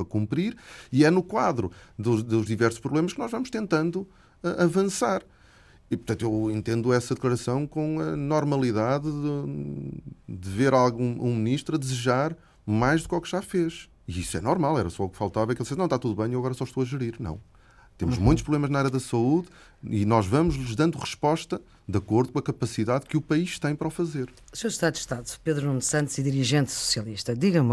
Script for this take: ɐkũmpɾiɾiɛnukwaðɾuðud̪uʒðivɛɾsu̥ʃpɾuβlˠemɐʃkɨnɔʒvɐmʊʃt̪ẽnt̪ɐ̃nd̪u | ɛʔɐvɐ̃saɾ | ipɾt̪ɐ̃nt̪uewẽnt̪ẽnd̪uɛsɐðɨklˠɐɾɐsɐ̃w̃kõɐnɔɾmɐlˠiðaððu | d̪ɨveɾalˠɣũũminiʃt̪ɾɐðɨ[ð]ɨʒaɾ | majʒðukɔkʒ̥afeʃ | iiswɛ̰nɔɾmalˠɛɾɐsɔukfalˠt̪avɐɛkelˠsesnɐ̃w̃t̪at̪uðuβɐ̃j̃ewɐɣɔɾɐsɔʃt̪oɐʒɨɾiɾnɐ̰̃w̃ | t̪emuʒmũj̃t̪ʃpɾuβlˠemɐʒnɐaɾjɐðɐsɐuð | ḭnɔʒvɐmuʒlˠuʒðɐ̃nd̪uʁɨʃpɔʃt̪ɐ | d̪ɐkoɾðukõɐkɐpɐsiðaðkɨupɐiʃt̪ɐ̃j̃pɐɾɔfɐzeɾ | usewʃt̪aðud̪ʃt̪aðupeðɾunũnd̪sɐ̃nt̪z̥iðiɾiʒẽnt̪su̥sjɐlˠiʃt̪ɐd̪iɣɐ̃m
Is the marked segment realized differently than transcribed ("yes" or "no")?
yes